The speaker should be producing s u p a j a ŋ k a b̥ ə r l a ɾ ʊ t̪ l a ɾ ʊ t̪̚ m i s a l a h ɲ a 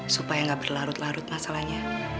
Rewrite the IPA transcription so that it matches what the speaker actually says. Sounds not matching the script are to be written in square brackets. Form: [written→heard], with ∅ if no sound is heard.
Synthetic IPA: s u p a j a ŋ [k→ɡ] a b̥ ə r l a ɾ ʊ t̪ l a ɾ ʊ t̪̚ m [i→a] s a l a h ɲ a